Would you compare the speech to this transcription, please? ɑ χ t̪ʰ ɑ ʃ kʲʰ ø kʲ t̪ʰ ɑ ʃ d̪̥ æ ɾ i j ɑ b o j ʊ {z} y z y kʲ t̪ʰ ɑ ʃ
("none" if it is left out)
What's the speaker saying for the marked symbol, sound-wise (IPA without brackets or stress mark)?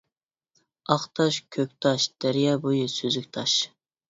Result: s